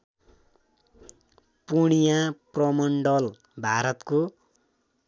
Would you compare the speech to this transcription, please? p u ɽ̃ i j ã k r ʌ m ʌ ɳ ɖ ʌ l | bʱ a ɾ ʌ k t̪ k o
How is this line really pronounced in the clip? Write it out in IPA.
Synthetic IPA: p u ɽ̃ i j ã p r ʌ m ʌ ɳ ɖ ʌ l | bʱ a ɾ ʌ t̪ k o